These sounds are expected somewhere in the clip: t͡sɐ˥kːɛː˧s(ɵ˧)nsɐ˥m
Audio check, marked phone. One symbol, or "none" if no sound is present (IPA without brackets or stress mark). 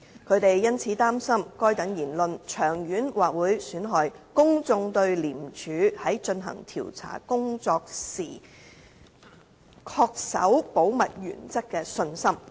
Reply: ɵ˧